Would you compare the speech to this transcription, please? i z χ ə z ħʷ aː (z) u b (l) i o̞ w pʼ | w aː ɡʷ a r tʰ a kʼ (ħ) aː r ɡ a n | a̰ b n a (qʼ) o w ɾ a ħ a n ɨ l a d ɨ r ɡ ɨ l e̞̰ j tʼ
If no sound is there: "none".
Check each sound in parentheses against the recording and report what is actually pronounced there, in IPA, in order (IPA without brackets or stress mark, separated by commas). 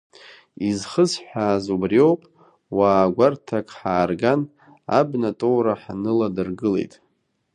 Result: z, r, ħ, tʼ